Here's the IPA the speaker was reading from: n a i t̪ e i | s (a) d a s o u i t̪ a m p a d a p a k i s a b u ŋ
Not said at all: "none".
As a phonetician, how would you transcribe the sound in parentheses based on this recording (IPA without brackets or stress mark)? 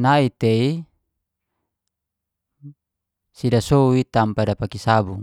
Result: i